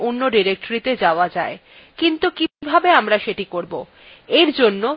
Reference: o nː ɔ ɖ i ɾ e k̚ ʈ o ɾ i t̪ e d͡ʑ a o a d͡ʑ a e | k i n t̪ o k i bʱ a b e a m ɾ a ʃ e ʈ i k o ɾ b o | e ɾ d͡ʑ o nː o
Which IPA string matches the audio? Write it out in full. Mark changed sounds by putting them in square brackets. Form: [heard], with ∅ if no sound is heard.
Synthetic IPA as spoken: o nː [o] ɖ i ɾ e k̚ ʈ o ɾ i t̪ e d͡ʑ a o a d͡ʑ a e | k i n t̪ [u] k i bʱ a b e a m ɾ a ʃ e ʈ i k o ɾ b o | e ɾ d͡ʑ o nː o